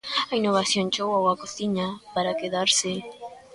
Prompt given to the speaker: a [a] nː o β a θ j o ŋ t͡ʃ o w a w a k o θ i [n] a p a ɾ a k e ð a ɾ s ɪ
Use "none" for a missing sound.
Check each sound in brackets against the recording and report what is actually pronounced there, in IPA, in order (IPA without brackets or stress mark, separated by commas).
i, ɲ